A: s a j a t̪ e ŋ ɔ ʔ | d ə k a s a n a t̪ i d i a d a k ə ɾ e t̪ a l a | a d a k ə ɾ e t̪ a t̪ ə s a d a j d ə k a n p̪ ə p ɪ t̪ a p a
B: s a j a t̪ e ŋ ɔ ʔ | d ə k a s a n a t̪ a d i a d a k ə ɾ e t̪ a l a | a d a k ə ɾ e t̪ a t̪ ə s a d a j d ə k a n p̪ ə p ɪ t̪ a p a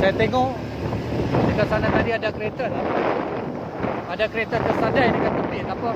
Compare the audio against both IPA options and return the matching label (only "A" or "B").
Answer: B